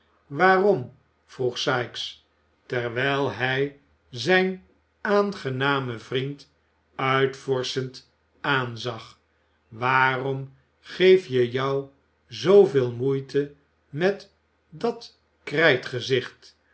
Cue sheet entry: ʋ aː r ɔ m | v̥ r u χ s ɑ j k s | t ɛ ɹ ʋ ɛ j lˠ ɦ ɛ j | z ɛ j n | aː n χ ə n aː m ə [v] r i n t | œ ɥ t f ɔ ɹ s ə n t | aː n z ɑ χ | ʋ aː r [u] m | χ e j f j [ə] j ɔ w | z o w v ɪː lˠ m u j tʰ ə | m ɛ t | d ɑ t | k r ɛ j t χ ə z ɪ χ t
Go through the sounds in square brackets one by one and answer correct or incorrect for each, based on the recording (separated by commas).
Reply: correct, incorrect, correct